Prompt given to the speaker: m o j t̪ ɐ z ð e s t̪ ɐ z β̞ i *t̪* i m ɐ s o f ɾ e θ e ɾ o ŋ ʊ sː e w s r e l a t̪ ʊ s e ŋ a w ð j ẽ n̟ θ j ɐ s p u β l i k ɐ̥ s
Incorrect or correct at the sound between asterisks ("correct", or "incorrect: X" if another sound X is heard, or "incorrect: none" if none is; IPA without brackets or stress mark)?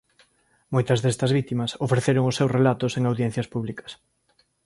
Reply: correct